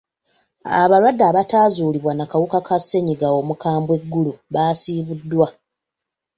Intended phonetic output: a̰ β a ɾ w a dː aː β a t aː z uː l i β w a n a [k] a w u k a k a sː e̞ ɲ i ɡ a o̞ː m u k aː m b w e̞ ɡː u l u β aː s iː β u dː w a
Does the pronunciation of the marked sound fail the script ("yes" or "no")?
no